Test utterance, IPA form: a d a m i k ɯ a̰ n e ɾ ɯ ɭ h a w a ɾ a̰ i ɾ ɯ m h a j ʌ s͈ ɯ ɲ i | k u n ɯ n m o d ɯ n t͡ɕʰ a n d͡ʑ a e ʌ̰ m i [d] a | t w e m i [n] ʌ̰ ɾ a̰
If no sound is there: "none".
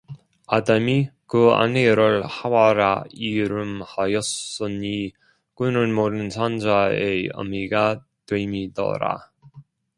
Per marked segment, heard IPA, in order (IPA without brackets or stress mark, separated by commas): ɡ, d